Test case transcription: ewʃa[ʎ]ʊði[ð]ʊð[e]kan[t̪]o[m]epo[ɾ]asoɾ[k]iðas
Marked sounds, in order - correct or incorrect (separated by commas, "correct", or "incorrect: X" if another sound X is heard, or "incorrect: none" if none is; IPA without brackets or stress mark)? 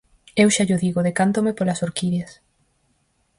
correct, incorrect: ɣ, correct, correct, correct, incorrect: l, correct